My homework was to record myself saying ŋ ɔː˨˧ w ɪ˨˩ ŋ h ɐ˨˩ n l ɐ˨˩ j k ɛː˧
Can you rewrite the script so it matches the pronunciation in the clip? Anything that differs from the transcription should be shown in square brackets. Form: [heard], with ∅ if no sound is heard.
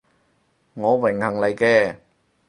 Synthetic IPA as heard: ŋ ɔː˨˧ w ɪ˨˩ ŋ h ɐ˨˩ [ŋ] l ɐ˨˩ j k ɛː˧